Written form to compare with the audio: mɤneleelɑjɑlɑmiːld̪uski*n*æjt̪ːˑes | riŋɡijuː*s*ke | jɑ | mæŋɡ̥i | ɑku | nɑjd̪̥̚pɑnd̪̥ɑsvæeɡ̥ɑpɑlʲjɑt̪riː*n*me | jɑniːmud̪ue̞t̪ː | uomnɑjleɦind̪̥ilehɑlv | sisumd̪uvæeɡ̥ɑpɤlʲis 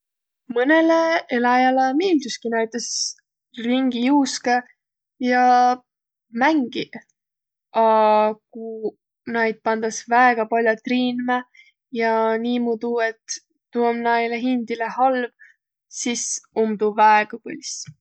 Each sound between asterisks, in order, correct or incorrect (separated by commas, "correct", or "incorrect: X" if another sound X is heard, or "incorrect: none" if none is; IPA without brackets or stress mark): correct, correct, correct